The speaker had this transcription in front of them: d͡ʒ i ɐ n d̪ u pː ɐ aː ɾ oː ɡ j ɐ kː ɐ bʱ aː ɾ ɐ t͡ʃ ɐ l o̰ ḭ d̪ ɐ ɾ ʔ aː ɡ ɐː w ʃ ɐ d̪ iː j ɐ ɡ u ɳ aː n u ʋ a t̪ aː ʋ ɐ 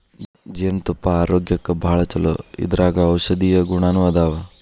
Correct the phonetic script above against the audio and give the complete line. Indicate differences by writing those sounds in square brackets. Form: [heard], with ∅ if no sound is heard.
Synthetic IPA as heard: d͡ʒ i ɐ n [t̪] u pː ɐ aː ɾ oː ɡ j ɐ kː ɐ bʱ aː [ɭ] ɐ t͡ʃ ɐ l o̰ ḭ d̪ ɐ ɾ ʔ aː ɡ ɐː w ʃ ɐ d̪ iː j ɐ ɡ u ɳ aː n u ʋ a [d̪] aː ʋ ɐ